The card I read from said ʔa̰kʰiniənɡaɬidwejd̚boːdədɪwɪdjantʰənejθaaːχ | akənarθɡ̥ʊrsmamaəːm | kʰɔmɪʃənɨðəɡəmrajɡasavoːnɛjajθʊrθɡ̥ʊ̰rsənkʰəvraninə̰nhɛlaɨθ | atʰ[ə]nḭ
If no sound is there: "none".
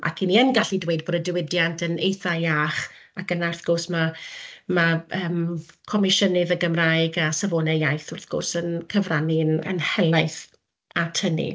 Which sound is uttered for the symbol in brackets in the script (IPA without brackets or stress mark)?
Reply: ə